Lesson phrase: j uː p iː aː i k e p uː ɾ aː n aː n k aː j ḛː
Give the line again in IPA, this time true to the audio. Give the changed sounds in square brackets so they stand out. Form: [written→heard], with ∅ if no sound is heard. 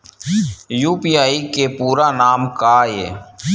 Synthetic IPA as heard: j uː p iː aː i k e p uː ɾ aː n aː [n→m] k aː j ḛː